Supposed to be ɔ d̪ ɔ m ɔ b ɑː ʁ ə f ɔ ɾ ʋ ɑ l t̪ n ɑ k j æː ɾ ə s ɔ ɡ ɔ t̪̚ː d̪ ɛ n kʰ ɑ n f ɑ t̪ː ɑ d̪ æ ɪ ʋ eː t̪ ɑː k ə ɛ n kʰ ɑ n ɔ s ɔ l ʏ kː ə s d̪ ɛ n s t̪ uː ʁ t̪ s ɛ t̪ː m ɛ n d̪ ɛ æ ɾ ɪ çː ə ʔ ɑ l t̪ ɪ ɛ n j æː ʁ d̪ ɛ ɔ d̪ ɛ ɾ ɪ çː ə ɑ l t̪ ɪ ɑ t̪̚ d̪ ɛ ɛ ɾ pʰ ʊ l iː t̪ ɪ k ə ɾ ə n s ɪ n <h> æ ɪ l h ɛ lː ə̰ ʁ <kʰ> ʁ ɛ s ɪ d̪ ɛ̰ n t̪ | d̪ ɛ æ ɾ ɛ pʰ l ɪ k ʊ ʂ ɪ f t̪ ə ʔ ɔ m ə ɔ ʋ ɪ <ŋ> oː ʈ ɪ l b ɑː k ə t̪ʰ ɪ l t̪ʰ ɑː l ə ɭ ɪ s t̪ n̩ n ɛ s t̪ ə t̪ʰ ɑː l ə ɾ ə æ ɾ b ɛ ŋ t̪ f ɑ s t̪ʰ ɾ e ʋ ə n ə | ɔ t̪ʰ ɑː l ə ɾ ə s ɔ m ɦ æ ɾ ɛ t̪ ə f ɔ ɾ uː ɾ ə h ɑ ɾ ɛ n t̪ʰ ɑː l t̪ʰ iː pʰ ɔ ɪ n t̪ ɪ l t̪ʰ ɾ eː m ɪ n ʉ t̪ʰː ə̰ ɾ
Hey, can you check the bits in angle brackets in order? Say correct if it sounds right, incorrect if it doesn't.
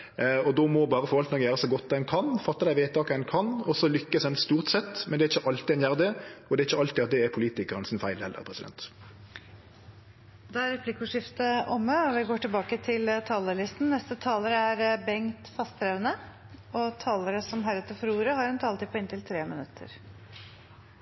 incorrect: f, incorrect: pʰ, incorrect: ɡ

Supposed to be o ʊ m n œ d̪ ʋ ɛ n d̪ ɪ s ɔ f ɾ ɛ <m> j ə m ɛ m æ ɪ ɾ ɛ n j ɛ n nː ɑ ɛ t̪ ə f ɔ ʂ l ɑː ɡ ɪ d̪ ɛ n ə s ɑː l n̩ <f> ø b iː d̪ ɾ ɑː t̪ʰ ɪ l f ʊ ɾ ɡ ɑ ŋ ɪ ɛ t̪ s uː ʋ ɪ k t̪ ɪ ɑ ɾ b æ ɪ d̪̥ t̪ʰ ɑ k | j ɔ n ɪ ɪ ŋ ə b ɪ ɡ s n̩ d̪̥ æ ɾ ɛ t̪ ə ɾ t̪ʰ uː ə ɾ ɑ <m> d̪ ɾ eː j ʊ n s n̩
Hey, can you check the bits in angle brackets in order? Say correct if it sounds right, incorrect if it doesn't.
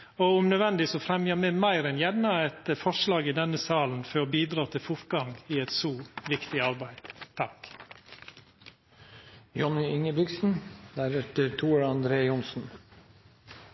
correct, correct, incorrect: n

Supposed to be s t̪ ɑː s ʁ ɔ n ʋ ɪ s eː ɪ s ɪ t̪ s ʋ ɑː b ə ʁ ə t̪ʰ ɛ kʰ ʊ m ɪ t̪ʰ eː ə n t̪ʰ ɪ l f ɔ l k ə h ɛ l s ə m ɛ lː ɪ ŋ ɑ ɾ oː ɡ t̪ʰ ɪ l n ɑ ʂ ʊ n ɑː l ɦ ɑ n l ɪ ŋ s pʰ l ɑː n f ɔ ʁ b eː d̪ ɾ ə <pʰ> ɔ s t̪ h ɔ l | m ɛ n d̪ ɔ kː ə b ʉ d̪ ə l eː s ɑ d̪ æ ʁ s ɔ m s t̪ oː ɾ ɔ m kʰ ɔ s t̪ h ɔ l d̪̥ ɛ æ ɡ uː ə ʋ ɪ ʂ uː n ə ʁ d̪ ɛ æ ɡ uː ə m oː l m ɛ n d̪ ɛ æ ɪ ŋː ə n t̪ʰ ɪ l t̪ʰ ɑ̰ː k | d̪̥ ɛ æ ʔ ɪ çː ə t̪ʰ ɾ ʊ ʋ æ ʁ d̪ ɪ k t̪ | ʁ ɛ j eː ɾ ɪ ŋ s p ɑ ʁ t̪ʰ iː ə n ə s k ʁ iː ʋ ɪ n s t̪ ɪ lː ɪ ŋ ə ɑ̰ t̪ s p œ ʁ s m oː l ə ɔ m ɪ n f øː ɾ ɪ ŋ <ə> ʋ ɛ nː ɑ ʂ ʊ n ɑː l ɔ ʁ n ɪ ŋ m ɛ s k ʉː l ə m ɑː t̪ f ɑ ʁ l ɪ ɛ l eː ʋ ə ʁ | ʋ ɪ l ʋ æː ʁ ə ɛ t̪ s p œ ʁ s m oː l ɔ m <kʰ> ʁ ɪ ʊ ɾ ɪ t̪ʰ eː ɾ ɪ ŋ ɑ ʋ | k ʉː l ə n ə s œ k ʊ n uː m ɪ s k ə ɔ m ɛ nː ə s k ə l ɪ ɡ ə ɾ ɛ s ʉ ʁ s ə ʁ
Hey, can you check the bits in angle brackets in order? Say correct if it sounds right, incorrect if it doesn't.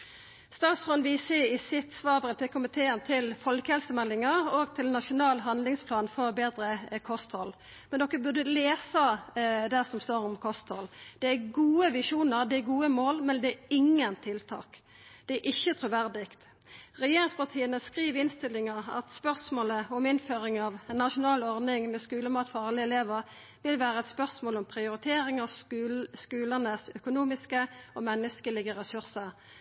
incorrect: kʰ, incorrect: ɑ, incorrect: pʰ

